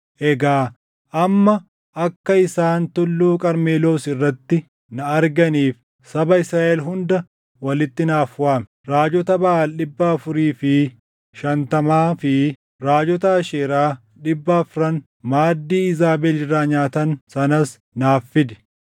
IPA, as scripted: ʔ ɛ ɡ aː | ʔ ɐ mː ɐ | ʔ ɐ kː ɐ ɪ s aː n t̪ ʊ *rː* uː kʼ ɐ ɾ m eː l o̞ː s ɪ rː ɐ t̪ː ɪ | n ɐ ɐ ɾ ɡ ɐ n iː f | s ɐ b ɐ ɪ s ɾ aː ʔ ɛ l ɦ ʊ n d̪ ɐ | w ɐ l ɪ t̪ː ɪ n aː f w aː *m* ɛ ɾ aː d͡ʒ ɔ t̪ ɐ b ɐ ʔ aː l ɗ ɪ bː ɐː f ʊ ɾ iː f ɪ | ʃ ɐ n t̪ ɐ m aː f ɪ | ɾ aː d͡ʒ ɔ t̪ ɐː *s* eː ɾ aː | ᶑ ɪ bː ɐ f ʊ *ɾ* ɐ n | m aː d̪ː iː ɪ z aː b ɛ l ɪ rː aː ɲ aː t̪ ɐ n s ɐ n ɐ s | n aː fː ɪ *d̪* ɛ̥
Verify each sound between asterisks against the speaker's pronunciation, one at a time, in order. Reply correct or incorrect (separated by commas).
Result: incorrect, correct, incorrect, correct, correct